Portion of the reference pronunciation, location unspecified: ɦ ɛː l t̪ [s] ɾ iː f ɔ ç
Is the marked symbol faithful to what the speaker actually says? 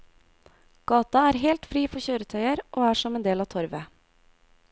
no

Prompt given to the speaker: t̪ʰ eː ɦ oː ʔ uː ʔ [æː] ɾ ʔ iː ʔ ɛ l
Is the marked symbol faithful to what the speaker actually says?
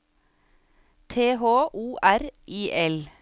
no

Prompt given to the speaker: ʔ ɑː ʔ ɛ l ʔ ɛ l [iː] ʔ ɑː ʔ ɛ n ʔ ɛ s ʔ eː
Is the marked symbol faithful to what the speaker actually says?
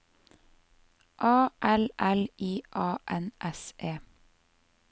yes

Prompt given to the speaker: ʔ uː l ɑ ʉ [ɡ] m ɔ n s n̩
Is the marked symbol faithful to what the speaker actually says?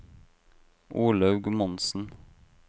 yes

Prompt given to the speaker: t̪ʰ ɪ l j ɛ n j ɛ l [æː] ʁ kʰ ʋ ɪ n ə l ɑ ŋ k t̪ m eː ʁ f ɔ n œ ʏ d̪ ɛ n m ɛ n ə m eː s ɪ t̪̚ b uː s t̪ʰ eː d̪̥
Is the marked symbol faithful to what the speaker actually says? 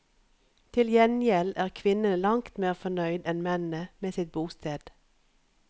yes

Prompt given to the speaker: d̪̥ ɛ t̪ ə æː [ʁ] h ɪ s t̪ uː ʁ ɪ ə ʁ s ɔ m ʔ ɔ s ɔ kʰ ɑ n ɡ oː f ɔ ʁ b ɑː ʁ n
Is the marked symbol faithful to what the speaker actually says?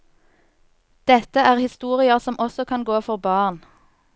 yes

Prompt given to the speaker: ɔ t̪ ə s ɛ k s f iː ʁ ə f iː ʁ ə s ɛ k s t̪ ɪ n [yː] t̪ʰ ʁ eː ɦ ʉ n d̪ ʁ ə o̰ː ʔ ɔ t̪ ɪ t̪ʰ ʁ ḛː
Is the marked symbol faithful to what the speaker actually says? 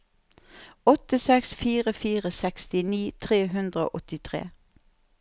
no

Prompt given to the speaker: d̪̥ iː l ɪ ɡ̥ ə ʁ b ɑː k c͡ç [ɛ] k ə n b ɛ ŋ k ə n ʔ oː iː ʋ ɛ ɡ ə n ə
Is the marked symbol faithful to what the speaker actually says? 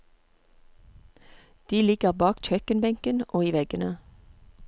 no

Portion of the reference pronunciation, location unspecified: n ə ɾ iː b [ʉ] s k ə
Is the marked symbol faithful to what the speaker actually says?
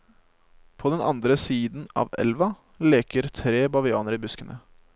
yes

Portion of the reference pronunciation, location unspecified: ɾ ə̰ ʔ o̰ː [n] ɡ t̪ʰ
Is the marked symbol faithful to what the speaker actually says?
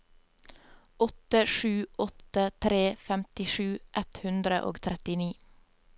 no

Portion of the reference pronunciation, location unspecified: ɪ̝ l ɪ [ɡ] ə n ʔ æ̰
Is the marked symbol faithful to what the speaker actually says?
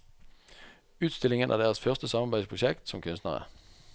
no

